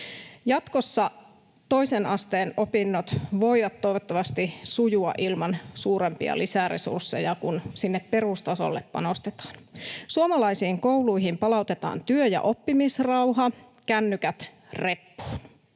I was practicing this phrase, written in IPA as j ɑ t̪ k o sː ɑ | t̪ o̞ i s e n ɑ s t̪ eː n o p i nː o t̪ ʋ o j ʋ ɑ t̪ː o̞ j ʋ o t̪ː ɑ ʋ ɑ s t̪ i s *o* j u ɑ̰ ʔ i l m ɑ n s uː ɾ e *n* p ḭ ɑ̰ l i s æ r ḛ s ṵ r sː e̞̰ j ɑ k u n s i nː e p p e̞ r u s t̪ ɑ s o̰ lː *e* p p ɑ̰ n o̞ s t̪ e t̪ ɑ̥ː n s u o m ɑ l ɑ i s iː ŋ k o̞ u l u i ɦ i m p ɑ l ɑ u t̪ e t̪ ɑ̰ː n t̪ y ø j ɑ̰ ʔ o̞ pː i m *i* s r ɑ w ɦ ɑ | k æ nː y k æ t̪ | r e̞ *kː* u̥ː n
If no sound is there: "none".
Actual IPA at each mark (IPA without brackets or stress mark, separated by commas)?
u, m, e, i, pː